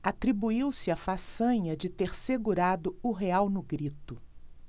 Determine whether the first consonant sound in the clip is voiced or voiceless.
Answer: voiceless